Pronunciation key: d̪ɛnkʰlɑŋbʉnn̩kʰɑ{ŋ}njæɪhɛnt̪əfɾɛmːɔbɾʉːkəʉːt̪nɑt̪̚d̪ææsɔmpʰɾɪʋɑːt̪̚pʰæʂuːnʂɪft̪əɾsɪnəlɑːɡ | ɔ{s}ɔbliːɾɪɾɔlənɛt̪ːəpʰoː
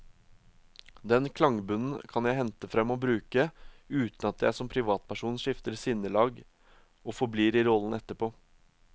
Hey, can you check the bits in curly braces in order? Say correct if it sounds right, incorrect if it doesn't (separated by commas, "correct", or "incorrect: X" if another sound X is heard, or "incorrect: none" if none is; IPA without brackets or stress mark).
incorrect: none, incorrect: f